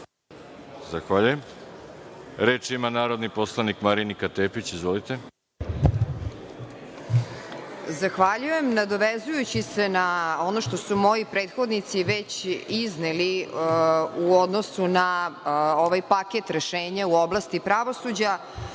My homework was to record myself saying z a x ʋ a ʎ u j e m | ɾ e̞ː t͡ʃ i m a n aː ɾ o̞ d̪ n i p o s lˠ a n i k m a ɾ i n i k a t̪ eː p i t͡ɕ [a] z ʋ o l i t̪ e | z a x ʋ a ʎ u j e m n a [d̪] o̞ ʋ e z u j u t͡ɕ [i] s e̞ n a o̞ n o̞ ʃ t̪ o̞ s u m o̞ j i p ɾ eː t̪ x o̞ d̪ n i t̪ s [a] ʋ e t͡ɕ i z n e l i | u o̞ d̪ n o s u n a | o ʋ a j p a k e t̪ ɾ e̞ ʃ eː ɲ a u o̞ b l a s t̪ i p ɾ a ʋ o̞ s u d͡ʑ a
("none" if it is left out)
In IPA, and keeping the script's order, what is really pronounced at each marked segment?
i, d̪, i, i

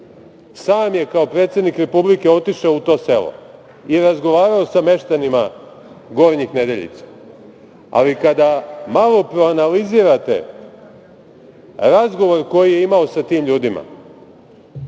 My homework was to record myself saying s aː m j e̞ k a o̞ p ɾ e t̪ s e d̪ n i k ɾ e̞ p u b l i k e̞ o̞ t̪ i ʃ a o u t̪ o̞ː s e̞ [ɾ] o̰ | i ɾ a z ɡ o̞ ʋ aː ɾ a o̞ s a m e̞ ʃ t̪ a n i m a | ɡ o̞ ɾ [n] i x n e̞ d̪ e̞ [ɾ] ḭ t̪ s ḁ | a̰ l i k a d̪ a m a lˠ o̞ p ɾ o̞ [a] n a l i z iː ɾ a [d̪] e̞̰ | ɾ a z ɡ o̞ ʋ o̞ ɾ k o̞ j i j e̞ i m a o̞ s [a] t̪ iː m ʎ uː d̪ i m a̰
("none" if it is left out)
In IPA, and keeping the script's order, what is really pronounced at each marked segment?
l, ɲ, ʎ, a, t̪, a

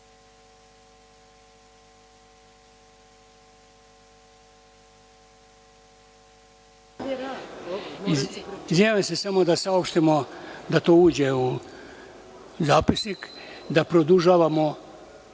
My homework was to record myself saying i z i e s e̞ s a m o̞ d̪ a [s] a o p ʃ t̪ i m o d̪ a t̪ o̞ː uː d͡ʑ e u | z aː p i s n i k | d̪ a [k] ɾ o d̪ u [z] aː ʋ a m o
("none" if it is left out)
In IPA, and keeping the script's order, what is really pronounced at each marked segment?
s, p, ʒ

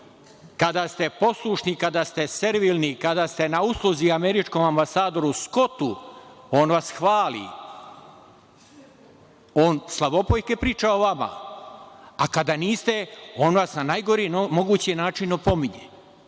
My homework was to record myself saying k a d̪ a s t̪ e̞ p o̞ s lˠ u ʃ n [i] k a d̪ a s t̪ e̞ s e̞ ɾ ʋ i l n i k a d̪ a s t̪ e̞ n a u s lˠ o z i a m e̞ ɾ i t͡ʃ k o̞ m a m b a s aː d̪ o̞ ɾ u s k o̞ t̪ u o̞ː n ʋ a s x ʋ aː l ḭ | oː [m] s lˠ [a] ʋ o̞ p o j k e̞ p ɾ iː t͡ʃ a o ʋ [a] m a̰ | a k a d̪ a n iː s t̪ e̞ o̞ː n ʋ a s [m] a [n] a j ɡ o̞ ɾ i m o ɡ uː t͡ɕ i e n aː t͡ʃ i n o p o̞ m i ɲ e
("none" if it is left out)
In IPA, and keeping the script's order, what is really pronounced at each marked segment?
i, n, a, a, n, n

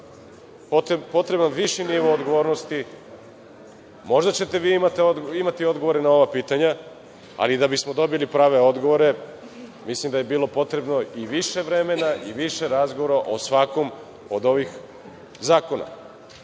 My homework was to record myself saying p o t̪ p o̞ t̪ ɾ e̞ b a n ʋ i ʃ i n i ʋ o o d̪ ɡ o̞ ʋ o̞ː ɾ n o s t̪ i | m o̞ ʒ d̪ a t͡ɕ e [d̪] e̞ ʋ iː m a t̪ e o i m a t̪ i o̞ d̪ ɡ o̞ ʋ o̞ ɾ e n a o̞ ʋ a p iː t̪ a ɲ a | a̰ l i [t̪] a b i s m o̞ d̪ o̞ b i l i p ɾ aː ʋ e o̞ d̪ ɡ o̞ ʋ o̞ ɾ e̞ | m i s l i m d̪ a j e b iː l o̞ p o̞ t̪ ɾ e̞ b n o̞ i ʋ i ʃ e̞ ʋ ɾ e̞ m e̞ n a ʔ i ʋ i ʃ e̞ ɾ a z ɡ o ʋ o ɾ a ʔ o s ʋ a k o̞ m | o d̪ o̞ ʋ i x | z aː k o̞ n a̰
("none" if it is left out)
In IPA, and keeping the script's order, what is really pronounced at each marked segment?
t̪, d̪

